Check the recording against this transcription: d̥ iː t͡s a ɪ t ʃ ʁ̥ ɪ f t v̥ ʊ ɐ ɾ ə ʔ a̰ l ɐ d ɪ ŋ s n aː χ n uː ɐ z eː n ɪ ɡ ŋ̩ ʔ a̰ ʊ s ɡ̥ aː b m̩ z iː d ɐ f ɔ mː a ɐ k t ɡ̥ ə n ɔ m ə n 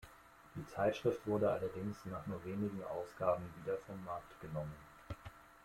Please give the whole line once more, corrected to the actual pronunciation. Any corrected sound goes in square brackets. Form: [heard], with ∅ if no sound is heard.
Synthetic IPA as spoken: d̥ iː t͡s a ɪ t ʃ ʁ̥ ɪ f t v̥ ʊ ɐ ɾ ə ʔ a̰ l ɐ d ɪ ŋ s n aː χ n uː ɐ [v] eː n ɪ ɡ ŋ̩ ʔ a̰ ʊ s ɡ̥ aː b m̩ [v] iː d ɐ f ɔ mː a ɐ k t ɡ̥ ə n ɔ m ə n

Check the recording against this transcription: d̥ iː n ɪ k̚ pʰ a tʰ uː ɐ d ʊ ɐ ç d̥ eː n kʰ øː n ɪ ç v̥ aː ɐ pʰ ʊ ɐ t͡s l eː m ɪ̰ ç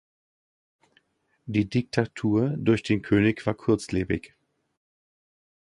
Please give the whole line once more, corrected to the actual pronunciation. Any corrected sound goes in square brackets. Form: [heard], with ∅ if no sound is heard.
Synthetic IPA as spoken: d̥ iː [d] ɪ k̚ [tʰ] a tʰ uː ɐ d ʊ ɐ ç d̥ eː n kʰ øː n ɪ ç v̥ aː ɐ [kʰ] ʊ ɐ t͡s l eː [b] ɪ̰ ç

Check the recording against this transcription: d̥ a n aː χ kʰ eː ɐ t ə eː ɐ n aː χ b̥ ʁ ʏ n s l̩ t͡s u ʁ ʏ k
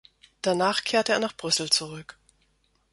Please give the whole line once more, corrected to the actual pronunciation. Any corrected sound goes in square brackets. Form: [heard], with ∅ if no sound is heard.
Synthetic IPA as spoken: d̥ a n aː χ kʰ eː ɐ t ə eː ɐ n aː χ b̥ ʁ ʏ [∅] s l̩ t͡s u ʁ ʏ k

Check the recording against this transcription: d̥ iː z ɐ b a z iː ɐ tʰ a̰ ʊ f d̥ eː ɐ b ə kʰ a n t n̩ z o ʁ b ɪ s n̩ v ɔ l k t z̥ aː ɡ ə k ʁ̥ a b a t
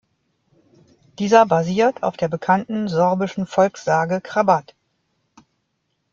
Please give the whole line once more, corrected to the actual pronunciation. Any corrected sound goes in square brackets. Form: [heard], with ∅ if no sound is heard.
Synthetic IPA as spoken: d̥ iː z ɐ b a z iː ɐ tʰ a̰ ʊ f d̥ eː ɐ b ə kʰ a n t n̩ z [ɔ] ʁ b ɪ [ʃ] n̩ [f] ɔ l k [s] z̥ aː ɡ ə k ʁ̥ a b a t

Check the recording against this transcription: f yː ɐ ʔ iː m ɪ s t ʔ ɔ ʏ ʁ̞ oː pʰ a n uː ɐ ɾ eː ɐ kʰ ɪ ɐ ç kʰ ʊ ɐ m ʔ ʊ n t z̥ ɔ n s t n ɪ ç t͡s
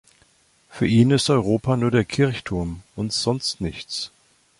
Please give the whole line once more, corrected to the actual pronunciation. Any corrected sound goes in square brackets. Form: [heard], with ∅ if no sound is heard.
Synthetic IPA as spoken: f yː ɐ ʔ iː [n] ɪ s t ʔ ɔ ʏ ʁ̞ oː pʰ a n uː ɐ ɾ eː ɐ kʰ ɪ ɐ ç [tʰ] ʊ ɐ m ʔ ʊ n t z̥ ɔ n s t n ɪ ç t͡s

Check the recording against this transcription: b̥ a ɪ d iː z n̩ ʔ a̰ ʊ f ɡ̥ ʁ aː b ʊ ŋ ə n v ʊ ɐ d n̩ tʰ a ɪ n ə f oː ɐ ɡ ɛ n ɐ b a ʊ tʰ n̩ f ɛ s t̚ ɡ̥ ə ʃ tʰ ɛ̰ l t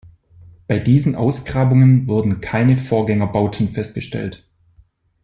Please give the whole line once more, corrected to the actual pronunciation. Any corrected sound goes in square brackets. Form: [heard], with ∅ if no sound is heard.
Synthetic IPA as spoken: b̥ a ɪ d iː z n̩ ʔ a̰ ʊ [s] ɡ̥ ʁ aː b ʊ ŋ ə n v ʊ ɐ d n̩ [kʰ] a ɪ n ə f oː ɐ ɡ ɛ [ŋ] ɐ b a ʊ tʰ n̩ f ɛ s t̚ ɡ̥ ə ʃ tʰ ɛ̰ l t

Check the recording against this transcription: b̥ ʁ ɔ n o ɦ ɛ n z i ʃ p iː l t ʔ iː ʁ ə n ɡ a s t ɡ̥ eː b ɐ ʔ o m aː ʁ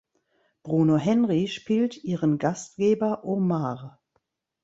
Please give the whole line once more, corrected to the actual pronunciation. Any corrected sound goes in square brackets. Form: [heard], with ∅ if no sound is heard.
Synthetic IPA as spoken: b̥ ʁ [u] n o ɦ ɛ n [ʁ] i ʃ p iː l t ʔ iː ʁ ə n ɡ a s t ɡ̥ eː b ɐ ʔ o m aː ʁ

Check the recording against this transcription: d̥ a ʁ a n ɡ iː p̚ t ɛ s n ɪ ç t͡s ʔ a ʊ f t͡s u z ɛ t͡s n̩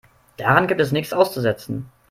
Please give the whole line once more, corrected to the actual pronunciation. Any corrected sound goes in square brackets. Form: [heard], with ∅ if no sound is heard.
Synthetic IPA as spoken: d̥ a ʁ a n ɡ iː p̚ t ɛ s n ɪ ç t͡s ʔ a ʊ [s] t͡s u z ɛ t͡s n̩

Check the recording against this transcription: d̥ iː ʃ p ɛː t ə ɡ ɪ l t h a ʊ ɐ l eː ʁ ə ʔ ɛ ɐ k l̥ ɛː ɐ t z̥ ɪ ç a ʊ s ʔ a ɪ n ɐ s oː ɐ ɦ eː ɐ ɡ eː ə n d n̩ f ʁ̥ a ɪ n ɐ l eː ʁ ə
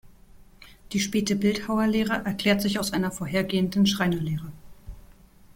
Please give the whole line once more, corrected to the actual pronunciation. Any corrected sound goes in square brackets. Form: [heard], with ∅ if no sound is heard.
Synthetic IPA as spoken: d̥ iː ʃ p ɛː t ə [b] ɪ l t h a ʊ ɐ l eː ʁ ə ʔ ɛ ɐ k l̥ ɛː ɐ t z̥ ɪ ç a ʊ s ʔ a ɪ n ɐ [f] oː ɐ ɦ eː ɐ ɡ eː ə n d n̩ [ʃ] ʁ̥ a ɪ n ɐ l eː ʁ ə

